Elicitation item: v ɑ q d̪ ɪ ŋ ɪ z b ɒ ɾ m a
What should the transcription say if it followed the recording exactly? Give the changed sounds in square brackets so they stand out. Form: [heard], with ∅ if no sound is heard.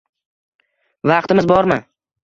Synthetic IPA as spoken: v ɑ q [t̪] ɪ [m] ɪ z b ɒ ɾ m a